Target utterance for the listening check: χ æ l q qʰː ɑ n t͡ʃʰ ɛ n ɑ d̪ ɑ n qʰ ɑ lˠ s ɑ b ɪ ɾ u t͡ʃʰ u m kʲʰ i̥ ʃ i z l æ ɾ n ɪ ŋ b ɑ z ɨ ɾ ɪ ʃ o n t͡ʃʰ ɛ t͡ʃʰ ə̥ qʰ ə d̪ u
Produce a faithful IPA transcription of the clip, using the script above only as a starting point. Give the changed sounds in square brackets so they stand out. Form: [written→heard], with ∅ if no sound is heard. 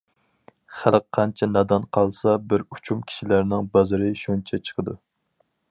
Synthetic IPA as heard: χ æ l q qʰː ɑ n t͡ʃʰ ɛ n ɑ d̪ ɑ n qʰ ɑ lˠ s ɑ b ɪ ɾ u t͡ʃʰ u m kʲʰ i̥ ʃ i [z→∅] l æ ɾ n ɪ ŋ b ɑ z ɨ ɾ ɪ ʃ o n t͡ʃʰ ɛ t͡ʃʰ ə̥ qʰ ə d̪ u